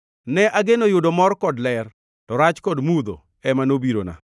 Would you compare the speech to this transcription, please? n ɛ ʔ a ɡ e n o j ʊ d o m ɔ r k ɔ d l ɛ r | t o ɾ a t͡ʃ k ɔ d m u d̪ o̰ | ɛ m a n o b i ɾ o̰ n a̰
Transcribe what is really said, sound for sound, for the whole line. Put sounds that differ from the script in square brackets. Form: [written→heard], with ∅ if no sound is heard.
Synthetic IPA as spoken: n ɛ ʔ a ɡ e n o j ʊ d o m ɔ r k ɔ d l ɛ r | t [o→ɔ] ɾ a t͡ʃ k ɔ d m u d̪ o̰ | ɛ m a n o b i ɾ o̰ n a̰